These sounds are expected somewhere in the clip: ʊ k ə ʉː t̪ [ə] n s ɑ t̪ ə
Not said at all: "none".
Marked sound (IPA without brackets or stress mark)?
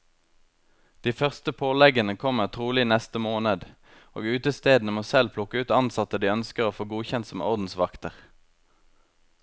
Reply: ɑ